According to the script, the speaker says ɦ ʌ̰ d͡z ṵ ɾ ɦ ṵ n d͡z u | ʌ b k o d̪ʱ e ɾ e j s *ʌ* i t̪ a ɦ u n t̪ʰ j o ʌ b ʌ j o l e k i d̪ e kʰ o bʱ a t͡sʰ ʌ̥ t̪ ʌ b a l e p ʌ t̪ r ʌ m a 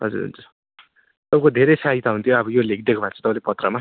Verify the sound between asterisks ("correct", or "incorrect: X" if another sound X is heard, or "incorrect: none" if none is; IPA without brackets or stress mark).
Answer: incorrect: a